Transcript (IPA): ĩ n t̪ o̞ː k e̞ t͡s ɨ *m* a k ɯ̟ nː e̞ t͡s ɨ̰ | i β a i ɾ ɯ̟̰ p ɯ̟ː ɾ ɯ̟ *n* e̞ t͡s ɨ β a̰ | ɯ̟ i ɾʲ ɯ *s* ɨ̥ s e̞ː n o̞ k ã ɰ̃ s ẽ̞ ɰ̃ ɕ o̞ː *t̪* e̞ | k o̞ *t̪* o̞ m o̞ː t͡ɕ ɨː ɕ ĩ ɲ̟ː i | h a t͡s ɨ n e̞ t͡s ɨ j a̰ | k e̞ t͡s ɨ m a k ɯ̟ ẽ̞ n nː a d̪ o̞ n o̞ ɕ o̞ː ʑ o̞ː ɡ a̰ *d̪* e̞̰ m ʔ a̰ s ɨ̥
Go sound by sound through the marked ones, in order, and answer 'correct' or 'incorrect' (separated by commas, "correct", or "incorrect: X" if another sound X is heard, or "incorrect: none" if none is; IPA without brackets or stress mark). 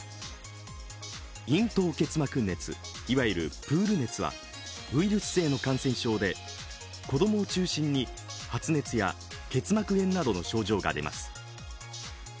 correct, correct, correct, incorrect: d̪, incorrect: d̪, correct